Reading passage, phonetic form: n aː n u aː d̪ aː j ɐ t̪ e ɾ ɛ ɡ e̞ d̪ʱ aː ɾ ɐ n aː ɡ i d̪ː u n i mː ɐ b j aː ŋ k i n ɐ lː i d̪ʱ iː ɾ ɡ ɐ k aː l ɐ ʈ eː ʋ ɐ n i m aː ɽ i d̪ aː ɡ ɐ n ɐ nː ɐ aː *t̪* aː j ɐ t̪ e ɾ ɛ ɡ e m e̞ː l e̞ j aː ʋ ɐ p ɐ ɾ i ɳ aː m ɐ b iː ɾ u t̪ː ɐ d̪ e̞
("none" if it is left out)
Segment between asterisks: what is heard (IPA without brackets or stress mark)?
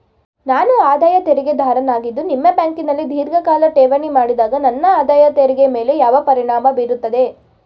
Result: d̪